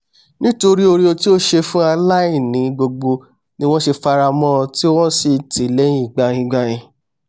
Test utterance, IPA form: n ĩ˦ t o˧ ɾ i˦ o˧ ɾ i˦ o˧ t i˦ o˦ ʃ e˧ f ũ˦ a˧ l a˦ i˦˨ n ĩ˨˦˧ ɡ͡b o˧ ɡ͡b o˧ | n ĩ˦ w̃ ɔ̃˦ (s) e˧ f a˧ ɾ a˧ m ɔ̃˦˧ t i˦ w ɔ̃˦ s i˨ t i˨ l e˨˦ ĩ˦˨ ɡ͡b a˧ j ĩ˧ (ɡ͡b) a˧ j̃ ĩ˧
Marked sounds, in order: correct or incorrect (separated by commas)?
incorrect, correct